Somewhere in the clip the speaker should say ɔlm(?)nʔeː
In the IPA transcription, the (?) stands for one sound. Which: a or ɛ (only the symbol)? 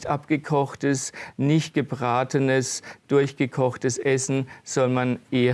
a